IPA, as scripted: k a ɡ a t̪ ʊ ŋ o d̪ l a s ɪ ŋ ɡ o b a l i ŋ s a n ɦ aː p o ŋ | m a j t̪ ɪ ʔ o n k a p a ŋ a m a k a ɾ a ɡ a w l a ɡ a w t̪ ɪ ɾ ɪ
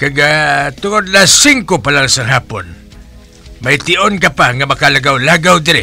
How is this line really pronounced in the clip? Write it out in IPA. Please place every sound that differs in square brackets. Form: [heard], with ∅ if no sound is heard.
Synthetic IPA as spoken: k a ɡ a t̪ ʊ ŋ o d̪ l a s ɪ ŋ [k] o [p] a l [a] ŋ s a [ŋ] ɦ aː p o [n] | m a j t̪ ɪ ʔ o n k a p a ŋ a m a k a [l] a ɡ a w l a ɡ a w [d̪] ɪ ɾ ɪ